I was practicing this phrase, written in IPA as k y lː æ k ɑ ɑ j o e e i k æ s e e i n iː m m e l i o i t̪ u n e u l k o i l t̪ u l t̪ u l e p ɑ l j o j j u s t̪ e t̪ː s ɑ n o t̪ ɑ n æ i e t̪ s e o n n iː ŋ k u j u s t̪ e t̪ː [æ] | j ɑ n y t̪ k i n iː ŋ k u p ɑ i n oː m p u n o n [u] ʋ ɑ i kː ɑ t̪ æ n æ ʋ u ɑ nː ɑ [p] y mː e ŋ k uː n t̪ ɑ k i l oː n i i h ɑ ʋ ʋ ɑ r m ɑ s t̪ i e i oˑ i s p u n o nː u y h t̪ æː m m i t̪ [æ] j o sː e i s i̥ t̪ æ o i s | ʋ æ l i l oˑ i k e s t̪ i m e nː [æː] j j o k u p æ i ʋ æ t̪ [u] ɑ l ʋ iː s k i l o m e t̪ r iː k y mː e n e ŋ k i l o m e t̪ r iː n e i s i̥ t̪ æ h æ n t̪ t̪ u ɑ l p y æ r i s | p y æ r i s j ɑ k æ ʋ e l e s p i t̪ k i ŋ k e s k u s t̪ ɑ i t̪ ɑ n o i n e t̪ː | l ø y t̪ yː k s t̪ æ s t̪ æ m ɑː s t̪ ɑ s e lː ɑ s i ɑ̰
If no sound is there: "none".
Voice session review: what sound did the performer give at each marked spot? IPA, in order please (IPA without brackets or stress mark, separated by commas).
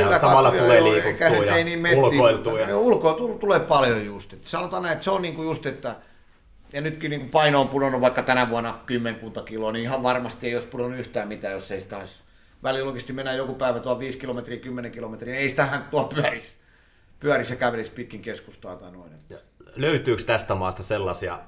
æ, u, k, æː, æ, u